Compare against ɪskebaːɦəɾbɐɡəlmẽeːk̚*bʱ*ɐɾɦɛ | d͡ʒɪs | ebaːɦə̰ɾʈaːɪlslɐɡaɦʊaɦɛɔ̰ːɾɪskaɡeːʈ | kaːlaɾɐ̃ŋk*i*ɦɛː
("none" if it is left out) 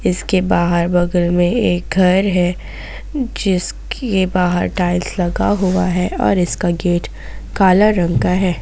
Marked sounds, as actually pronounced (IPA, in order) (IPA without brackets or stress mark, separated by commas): ɡʱ, a